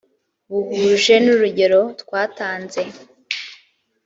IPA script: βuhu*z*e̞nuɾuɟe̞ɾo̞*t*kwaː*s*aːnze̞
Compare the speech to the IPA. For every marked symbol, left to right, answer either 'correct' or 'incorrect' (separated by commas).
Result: incorrect, correct, incorrect